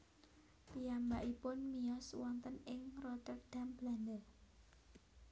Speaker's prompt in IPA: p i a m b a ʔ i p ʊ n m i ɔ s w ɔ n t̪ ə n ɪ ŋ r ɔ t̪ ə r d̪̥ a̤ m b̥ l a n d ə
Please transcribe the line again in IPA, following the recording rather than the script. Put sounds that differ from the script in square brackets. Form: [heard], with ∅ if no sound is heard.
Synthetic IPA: p i a m b a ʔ i p ʊ n m i ɔ s w ɔ n t̪ ə n ɪ ŋ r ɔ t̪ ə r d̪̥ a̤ m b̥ l a n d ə